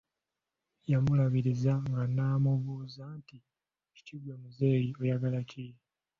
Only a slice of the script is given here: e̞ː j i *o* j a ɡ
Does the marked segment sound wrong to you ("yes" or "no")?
no